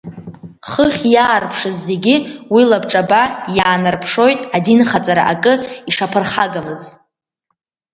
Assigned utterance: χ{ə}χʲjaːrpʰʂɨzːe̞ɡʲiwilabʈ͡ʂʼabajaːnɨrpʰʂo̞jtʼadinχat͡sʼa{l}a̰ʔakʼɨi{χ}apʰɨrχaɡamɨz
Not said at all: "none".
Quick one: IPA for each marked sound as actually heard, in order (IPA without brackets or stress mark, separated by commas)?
ə, ɾ, ʂ